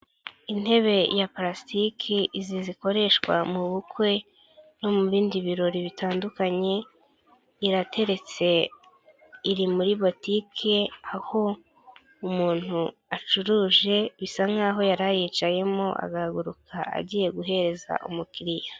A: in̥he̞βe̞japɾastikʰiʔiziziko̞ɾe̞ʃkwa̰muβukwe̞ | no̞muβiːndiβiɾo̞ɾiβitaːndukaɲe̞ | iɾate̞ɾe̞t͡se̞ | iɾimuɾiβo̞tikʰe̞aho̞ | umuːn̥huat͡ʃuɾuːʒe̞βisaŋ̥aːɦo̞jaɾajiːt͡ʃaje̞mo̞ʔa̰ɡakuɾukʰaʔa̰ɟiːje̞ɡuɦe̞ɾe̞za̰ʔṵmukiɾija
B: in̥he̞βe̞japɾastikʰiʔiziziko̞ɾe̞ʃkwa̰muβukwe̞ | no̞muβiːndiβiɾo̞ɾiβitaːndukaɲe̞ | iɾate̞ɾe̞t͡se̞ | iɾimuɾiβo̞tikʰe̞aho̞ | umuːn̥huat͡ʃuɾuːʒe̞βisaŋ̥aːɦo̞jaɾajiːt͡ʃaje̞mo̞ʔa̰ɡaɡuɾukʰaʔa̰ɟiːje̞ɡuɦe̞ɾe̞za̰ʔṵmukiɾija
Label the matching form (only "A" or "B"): B